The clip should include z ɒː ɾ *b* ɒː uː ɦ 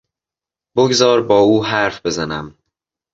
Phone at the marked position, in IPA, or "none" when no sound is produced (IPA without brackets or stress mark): b